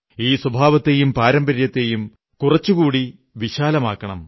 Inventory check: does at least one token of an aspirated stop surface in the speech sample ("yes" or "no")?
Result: no